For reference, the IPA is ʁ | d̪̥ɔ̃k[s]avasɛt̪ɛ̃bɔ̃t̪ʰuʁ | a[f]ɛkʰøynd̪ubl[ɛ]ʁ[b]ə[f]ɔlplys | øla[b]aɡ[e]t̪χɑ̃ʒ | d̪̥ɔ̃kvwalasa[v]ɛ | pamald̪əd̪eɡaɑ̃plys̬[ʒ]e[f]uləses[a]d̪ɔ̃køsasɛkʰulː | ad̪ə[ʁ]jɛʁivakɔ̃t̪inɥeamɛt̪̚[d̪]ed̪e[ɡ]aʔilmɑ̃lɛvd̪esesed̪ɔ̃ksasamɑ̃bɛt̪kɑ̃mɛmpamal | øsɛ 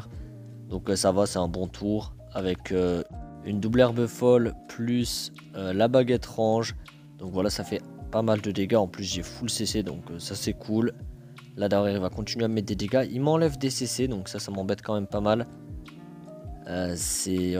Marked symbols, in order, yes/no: yes, no, yes, yes, yes, yes, yes, no, yes, yes, no, yes, yes, yes

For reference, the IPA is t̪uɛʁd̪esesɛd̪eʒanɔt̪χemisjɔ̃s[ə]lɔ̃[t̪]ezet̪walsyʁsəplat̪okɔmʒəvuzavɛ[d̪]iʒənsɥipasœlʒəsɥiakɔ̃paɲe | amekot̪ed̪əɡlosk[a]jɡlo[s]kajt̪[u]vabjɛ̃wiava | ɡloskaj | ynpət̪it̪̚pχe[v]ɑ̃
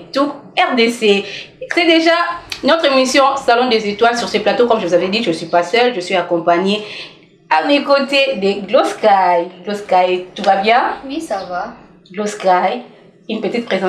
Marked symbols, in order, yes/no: no, no, yes, yes, yes, yes, no

